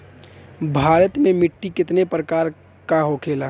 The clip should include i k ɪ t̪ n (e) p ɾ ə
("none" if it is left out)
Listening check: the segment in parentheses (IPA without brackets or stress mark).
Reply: e